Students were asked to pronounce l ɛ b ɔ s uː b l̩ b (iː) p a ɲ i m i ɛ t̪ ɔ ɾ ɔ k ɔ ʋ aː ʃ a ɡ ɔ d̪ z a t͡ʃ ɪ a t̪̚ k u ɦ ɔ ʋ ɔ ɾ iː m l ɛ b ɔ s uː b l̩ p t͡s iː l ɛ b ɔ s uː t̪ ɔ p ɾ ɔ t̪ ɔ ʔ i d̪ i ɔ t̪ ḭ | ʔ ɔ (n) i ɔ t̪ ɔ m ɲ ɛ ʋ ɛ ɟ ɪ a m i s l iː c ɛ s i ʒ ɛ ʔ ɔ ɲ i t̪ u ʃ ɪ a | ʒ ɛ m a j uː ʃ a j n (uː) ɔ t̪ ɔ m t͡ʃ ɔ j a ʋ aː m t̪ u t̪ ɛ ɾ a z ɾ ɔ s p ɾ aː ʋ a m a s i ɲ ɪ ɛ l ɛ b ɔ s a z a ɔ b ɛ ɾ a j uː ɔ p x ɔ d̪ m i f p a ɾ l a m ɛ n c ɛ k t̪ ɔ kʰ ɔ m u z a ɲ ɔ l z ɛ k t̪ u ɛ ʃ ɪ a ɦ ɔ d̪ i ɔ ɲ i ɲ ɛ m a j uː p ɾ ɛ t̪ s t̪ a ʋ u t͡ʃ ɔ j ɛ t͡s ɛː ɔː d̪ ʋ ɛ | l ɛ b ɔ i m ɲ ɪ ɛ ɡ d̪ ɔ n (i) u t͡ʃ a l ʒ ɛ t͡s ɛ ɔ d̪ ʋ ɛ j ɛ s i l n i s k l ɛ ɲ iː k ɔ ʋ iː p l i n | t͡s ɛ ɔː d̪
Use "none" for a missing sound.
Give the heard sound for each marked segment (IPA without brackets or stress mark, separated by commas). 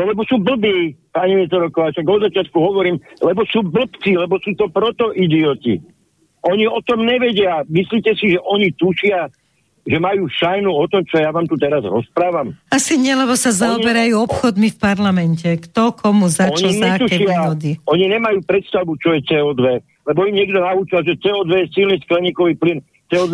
iː, ɲ, u, a